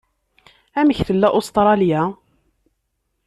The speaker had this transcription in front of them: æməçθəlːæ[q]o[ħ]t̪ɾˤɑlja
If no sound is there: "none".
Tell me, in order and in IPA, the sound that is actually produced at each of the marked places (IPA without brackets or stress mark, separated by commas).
ʔ, s